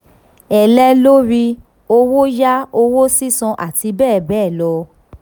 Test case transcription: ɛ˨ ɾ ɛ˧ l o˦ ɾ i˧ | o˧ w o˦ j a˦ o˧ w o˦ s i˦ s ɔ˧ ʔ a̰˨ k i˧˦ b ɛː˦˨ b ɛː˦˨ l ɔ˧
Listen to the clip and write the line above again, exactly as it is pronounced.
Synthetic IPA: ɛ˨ l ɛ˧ l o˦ ɾ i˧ | o˧ w o˦ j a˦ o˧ w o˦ s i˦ s ɔ̃˧ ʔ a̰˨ t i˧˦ b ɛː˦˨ b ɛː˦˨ l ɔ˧